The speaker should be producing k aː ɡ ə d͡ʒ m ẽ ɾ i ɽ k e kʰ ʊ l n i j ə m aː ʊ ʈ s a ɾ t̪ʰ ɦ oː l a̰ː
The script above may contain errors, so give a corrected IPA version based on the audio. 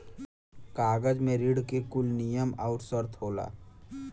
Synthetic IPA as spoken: k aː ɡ ə d͡ʒ m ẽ ɾ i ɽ k e k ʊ l n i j ə m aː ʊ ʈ s ə ɾ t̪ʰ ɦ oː l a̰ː